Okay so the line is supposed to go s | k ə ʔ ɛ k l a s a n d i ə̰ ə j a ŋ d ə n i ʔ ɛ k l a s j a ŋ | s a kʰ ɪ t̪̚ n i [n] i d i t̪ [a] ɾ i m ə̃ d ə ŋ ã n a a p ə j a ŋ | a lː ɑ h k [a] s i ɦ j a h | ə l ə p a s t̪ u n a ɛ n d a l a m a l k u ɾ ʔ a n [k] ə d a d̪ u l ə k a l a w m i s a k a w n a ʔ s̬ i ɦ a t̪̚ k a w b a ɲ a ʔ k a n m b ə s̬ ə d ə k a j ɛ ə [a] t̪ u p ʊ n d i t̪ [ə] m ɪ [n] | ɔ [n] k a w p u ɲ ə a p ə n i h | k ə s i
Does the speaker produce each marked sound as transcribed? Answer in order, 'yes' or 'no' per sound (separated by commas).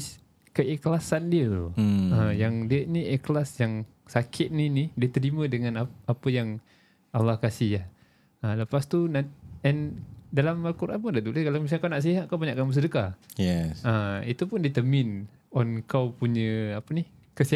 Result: yes, no, yes, no, no, yes, yes, yes